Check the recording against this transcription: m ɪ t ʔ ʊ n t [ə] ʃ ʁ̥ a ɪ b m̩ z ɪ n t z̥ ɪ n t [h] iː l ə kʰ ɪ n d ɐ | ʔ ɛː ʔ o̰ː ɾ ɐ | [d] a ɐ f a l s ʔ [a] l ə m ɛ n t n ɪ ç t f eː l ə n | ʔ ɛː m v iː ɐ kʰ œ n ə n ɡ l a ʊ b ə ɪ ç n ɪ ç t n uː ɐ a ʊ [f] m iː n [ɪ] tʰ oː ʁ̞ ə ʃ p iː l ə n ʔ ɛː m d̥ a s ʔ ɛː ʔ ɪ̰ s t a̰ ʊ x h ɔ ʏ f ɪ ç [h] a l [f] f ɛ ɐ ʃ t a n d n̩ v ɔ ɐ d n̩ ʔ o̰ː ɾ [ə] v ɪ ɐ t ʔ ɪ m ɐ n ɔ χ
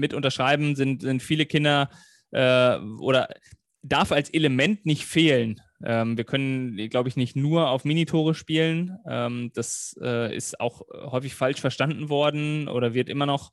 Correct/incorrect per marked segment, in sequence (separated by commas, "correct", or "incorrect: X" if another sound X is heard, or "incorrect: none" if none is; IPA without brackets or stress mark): incorrect: ɐ, incorrect: f, correct, incorrect: e, correct, incorrect: i, incorrect: f, incorrect: ʃ, incorrect: ɐ